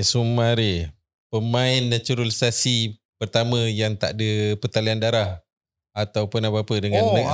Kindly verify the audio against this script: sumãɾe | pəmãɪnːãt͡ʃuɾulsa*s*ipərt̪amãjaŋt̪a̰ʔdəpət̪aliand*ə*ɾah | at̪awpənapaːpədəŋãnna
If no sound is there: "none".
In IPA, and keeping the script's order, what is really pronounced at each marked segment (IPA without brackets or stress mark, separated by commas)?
s, a